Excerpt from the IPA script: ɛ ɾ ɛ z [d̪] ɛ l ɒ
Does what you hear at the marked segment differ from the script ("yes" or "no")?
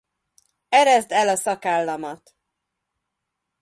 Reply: no